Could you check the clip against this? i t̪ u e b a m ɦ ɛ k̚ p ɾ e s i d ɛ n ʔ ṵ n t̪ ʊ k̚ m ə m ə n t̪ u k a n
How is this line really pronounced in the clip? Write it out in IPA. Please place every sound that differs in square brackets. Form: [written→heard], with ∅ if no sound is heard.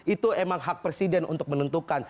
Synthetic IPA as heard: i t̪ u e [b→m] a [m→ŋ] ɦ [ɛ→a] k̚ p ɾ e s i d ɛ n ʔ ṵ n t̪ ʊ k̚ m ə [m→n] ə n t̪ u k a n